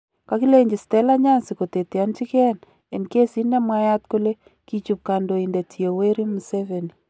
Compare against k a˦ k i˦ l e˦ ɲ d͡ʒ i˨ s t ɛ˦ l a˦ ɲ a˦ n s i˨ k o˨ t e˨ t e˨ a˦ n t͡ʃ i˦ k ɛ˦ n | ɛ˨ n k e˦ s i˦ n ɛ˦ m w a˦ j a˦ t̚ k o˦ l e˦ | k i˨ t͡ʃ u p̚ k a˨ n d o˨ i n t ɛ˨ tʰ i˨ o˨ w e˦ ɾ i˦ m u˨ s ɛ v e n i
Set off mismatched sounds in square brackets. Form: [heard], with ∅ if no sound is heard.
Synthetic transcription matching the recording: k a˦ k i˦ l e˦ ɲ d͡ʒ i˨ s t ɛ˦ l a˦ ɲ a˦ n s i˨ k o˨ t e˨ t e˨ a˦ n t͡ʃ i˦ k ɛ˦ n | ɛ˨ n k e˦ s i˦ n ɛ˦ m w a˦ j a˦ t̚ k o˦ l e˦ | k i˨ t͡ʃ u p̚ k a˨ n d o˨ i n [d] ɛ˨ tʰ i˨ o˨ w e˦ ɾ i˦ m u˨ s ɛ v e n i